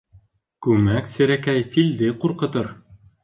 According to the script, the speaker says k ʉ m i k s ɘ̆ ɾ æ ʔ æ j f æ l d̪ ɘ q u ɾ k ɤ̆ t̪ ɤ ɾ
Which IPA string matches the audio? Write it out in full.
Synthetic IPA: k ʉ m æ k s ɘ̆ ɾ æ k æ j f i l d̪ ɘ q u ɾ q ɤ̆ t̪ ɤ ɾ